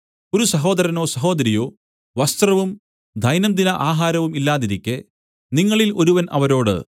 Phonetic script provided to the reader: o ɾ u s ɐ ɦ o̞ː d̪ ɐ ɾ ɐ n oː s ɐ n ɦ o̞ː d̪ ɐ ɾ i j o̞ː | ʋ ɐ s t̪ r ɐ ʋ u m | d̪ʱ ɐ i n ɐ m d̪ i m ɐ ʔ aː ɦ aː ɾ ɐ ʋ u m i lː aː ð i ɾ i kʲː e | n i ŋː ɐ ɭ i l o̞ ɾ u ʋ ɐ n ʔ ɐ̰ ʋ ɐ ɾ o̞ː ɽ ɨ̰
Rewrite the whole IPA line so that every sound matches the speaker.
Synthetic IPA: o ɾ u s ɐ ɦ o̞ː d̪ ɐ ɾ ɐ n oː s ɐ ɦ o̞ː d̪ ɐ ɾ i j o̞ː | ʋ ɐ s t̪ r ɐ ʋ u m | d̪ʱ ɐ j n ɐ m d̪ i n ɐ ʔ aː ɦ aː ɾ ɐ ʋ u m i lː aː ð i ɾ i kʲː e | n i ŋː ɐ ɭ i l o̞ ɾ u ʋ ɐ n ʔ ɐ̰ ʋ ɐ ɾ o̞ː ɽ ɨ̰